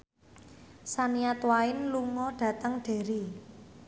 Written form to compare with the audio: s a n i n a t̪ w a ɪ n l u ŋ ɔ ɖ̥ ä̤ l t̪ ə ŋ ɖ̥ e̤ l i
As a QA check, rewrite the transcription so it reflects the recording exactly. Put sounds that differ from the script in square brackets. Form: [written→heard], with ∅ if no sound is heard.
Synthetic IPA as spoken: s a n i [n→∅] a t̪ w a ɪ n l u ŋ ɔ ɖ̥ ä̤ [l→∅] t̪ ə ŋ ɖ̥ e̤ [l→ɾ] i